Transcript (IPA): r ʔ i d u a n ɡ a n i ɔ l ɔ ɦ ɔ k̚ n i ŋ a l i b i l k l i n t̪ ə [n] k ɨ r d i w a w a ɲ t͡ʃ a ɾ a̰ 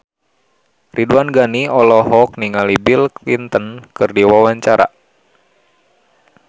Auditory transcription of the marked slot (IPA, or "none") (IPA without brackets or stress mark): n